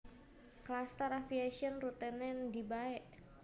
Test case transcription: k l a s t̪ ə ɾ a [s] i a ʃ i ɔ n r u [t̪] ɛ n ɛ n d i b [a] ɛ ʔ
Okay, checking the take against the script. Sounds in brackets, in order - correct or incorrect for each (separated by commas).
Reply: incorrect, correct, correct